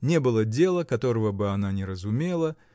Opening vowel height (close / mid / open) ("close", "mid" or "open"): mid